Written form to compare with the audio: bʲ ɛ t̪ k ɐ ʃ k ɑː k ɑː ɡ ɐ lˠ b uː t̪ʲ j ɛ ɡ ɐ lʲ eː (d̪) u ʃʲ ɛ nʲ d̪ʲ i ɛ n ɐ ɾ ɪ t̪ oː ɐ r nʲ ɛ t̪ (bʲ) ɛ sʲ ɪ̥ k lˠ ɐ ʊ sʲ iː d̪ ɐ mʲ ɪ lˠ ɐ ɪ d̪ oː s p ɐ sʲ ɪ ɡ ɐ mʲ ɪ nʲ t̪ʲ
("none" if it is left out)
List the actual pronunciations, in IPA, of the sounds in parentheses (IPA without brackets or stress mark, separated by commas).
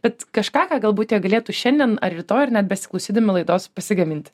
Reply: t̪, bʲ